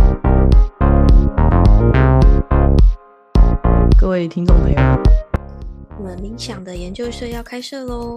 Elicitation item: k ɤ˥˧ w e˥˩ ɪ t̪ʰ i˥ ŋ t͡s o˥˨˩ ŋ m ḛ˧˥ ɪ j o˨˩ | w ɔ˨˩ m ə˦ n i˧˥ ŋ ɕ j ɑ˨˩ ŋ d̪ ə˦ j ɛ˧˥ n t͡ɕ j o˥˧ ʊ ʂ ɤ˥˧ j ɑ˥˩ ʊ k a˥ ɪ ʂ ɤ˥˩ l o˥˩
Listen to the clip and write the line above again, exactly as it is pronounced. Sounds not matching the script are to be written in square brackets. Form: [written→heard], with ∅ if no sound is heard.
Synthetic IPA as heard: k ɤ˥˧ w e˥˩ ɪ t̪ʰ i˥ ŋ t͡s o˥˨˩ ŋ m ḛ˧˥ ɪ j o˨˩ | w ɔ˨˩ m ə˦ n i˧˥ ŋ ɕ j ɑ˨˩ ŋ d̪ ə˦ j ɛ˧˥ n t͡ɕ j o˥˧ ʊ ʂ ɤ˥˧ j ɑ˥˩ ʊ [k→kʰ] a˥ ɪ ʂ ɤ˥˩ l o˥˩